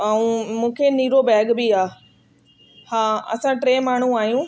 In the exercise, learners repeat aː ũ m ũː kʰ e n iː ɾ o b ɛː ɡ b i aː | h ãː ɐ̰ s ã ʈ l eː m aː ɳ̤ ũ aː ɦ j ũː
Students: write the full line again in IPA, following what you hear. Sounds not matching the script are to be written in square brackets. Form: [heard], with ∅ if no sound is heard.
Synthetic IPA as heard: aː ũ m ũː kʰ e n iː ɾ o b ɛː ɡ b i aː | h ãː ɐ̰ s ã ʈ [ɾ] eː m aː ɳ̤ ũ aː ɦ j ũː